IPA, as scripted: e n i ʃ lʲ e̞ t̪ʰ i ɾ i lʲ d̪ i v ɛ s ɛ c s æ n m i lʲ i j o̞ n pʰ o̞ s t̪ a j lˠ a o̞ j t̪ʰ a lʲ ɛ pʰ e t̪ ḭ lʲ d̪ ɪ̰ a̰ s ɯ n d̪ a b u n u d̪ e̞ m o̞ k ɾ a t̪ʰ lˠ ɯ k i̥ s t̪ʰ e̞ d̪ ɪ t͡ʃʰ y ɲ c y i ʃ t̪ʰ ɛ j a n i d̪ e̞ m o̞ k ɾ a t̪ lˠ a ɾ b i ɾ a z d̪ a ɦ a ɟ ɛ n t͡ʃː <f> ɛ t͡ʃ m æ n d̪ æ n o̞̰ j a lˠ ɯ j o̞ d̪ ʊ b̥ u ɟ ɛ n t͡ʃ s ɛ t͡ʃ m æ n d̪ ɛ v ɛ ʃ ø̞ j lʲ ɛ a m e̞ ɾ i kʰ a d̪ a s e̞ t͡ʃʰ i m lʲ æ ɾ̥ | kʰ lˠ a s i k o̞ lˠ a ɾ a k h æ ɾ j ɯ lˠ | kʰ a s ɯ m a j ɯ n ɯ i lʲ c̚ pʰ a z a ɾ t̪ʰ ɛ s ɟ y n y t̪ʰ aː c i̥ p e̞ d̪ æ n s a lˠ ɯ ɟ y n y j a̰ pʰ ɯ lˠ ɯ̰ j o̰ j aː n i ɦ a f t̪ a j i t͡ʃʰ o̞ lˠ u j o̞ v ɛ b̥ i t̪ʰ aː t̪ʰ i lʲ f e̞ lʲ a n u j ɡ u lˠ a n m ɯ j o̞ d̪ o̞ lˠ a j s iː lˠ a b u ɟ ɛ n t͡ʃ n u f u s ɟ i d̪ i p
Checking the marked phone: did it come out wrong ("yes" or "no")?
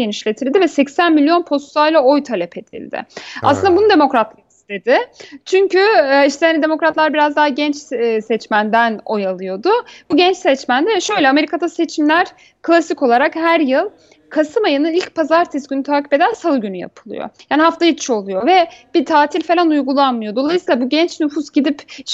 yes